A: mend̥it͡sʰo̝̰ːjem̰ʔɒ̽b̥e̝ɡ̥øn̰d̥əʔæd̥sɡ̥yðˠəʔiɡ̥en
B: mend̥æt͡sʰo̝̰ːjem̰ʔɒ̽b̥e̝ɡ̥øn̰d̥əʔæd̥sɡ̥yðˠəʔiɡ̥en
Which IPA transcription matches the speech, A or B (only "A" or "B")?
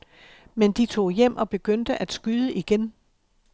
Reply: A